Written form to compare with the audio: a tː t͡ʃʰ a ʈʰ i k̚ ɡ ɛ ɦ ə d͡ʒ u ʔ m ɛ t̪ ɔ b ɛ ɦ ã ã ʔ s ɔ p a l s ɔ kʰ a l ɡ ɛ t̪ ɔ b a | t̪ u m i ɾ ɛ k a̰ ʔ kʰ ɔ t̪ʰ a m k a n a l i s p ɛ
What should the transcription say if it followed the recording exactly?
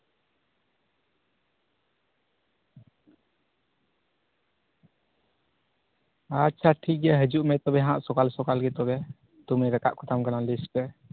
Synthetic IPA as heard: a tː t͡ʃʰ a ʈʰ i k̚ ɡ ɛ ɦ ə d͡ʒ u ʔ m ɛ t̪ ɔ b ɛ ɦ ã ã ʔ s ɔ k a l s ɔ k a l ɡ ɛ t̪ ɔ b ɛ | t̪ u m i ɾ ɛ k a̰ ʔ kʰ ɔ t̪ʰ a m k a n a l i s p ɛ

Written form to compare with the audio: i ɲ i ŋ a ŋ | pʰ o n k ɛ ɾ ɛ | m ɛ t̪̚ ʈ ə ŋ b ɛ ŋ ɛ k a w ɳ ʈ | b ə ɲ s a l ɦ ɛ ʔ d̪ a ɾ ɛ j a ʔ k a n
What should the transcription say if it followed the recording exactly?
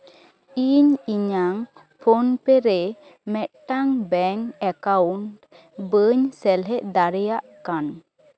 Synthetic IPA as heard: i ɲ i ɲ a ŋ | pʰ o n p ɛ ɾ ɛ | m ɛ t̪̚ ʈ a ŋ b ɛ ŋ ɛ k a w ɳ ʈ | b ə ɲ s ɛ l ɦ ɛ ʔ d̪ a ɾ ɛ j a ʔ k a n

